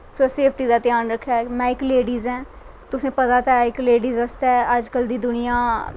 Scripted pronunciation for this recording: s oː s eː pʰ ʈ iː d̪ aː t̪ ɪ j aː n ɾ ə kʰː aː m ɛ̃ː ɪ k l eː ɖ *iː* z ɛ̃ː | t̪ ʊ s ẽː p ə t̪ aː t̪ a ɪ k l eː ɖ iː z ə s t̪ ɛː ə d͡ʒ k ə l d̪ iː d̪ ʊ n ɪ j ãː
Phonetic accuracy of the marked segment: correct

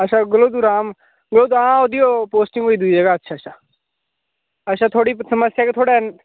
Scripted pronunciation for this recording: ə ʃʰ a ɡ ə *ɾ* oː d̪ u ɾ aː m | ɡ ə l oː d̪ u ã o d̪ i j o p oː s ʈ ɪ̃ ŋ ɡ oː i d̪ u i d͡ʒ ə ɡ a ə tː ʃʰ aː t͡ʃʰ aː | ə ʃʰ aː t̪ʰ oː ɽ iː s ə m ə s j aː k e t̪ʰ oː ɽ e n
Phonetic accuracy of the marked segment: incorrect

